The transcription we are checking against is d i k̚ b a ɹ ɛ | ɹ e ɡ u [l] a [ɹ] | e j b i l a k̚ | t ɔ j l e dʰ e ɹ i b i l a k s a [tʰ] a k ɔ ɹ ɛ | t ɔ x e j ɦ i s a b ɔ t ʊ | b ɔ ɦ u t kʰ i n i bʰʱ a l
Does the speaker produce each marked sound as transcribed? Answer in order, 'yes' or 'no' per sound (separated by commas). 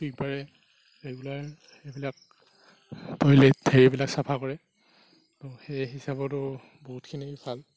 yes, yes, no